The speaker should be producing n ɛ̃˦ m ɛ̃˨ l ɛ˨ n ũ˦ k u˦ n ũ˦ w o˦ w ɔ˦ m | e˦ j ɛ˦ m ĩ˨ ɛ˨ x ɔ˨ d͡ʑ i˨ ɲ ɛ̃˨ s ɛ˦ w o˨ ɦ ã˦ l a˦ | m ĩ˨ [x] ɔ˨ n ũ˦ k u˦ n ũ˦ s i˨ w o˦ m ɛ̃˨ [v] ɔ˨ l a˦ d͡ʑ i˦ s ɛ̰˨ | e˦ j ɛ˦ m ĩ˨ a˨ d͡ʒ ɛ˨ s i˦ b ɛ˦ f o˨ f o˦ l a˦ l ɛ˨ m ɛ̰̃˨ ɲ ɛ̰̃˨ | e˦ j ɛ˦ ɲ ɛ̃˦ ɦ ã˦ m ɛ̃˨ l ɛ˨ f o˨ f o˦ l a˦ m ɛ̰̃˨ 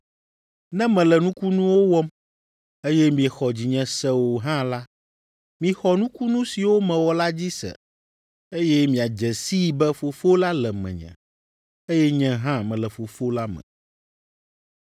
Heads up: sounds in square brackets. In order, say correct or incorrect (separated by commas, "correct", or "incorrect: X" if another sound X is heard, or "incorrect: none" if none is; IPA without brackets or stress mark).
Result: correct, incorrect: w